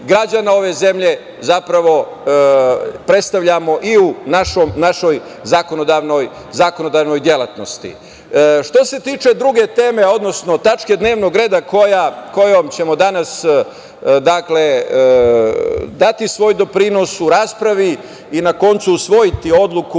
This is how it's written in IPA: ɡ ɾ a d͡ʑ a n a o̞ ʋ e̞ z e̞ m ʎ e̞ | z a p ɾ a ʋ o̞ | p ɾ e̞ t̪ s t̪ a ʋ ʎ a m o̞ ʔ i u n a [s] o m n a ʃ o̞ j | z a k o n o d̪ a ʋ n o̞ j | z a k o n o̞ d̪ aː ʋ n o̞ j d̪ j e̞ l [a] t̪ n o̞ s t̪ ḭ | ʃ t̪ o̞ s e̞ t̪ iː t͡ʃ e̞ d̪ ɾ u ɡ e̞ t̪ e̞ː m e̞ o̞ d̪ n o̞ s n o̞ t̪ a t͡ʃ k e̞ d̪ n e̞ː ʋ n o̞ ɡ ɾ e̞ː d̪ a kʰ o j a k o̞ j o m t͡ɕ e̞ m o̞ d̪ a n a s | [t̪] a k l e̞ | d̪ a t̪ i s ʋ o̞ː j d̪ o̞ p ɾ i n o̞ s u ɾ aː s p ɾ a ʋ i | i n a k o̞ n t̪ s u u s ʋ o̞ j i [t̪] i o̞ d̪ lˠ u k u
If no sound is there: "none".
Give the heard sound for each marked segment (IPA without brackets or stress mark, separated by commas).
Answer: ʃ, a, d̪, t̪